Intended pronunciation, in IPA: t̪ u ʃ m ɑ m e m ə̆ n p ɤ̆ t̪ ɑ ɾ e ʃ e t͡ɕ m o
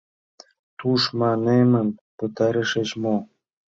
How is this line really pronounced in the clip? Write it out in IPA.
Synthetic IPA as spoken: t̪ u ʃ m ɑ n e m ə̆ n p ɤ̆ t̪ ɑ ɾ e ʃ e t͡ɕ m o